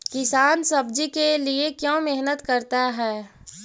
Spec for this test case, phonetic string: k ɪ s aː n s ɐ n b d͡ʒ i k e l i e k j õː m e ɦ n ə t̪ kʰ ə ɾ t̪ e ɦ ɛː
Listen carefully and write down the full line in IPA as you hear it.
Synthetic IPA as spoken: k ɪ s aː n s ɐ b d͡ʒ i k e l i e k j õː m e ɦ n ə t̪ k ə ɾ t̪ a ɦ ɛː